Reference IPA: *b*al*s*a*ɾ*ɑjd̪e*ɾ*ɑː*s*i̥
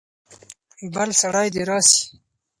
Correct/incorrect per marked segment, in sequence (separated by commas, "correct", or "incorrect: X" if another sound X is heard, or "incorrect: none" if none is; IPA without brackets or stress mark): correct, correct, incorrect: ɽ, correct, correct